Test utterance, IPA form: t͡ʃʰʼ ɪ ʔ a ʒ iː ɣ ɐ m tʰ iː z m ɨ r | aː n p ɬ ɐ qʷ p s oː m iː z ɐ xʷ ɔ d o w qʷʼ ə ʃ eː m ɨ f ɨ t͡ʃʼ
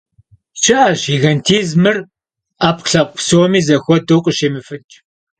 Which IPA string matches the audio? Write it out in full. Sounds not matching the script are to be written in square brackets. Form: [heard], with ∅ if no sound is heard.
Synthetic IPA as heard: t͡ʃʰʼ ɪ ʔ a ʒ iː ɣ ɐ [n] tʰ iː z m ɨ r | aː [∅] p ɬ ɐ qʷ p s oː m iː z ɐ xʷ ɔ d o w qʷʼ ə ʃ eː m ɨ f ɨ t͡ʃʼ